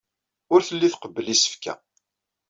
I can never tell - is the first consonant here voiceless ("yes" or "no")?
no